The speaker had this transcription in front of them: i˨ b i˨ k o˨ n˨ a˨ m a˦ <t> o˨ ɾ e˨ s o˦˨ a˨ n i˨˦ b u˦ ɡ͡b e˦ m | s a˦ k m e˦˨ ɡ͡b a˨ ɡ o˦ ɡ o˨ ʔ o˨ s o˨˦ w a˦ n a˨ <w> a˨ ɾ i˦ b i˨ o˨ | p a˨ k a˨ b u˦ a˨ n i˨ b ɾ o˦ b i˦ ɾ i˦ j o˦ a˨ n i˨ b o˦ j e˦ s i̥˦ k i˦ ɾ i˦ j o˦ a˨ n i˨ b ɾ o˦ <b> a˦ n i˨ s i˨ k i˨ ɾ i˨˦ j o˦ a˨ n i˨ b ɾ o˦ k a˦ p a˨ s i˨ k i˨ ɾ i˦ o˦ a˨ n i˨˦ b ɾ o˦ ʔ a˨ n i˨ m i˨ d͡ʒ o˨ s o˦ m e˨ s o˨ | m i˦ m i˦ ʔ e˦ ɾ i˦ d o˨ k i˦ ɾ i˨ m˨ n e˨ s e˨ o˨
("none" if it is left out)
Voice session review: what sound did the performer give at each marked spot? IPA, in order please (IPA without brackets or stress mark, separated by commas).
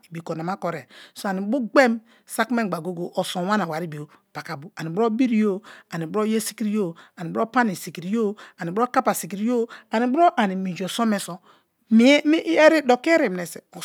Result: k, w, p